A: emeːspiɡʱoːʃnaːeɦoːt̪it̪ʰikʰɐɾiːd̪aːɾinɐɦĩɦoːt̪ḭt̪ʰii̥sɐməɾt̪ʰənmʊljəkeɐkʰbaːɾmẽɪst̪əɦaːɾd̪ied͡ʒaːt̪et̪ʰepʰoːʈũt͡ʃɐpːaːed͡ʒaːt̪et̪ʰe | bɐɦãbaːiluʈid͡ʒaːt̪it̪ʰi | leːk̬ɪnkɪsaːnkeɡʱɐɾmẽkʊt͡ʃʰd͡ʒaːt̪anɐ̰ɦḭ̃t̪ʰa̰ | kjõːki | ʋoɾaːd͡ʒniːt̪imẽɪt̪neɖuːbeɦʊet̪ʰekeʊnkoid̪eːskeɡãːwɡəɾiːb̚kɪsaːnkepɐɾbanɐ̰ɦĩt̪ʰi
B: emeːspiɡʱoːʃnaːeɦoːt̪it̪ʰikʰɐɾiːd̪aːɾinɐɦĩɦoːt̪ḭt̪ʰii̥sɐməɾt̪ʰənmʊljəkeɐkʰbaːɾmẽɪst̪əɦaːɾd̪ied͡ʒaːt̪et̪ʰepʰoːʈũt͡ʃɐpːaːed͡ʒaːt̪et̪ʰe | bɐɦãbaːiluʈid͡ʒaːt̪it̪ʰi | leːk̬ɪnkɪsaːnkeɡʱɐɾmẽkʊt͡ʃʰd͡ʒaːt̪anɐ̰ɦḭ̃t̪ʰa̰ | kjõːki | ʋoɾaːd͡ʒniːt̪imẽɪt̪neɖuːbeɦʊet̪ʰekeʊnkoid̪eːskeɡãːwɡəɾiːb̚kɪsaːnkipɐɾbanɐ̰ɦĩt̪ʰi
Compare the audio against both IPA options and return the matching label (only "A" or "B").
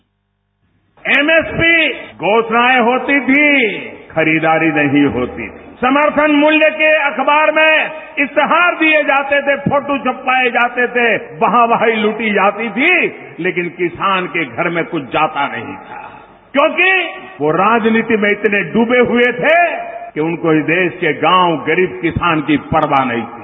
B